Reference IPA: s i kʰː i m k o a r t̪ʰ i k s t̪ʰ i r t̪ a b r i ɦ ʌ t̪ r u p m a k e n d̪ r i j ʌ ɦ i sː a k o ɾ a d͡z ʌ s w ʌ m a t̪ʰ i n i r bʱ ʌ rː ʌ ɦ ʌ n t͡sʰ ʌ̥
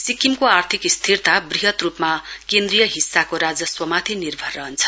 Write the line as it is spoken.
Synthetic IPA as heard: s i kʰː i m k o a r t̪ʰ i k s t̪ʰ i r t̪ a b r i ɦ ʌ t̪ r u p m a k e n d̪ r i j ʌ ɦ i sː a k o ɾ a d͡z ʌ s w ʌ m a t̪ʰ i n i r bʱ ʌ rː ʌ ɦ ʌ n t͡sʰ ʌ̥